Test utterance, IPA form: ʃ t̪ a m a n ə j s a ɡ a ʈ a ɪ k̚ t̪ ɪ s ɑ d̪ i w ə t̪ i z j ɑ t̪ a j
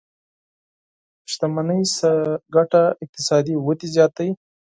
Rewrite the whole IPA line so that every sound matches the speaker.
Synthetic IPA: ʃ t̪ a m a n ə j s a ɡ a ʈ a ɪ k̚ t̪ ɪ s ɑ d̪ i w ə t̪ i z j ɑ t̪ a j